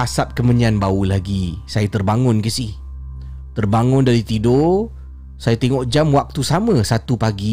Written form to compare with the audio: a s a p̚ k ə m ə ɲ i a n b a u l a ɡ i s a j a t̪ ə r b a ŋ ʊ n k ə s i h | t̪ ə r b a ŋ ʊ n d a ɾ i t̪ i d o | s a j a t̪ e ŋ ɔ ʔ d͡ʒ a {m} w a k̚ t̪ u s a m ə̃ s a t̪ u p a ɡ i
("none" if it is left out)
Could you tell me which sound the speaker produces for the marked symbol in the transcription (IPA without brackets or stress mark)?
m